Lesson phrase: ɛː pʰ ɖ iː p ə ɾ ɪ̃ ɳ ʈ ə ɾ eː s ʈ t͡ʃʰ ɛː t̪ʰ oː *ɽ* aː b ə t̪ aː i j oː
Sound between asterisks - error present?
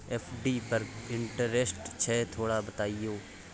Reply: no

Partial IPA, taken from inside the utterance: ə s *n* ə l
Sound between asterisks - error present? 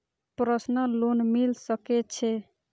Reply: no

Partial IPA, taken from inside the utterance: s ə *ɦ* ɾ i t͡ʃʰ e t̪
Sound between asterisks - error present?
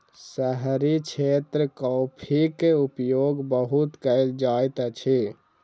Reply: no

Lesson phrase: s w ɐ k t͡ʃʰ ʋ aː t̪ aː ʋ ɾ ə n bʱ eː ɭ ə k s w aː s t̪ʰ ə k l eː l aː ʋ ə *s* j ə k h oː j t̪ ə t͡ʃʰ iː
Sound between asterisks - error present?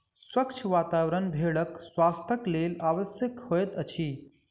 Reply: no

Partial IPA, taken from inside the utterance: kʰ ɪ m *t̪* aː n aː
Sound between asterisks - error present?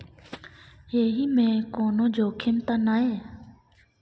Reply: no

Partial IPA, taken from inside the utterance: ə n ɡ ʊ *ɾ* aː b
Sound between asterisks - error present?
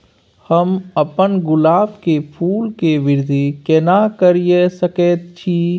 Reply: yes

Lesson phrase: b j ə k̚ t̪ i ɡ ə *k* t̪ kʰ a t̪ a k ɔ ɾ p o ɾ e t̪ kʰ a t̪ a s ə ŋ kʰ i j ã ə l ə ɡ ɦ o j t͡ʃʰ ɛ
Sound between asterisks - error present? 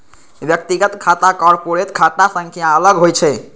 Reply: yes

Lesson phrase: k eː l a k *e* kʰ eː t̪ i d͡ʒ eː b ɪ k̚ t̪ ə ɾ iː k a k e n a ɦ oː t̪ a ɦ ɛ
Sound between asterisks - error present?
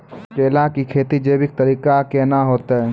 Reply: yes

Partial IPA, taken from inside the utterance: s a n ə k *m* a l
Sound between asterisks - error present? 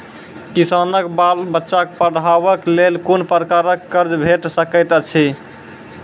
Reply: yes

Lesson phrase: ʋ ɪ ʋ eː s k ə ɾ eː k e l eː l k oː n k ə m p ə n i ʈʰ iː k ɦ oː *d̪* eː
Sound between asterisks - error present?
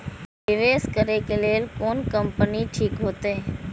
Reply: yes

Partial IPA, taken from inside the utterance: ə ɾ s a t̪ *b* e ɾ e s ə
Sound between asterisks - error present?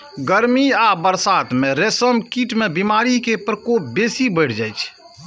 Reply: yes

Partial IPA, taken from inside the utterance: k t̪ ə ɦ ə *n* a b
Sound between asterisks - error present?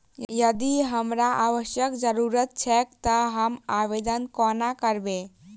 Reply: yes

